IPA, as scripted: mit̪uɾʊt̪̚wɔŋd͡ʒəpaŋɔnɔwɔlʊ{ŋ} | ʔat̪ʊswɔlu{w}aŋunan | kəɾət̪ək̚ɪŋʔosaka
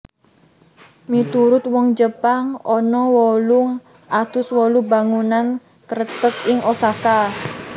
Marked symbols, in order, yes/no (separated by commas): yes, no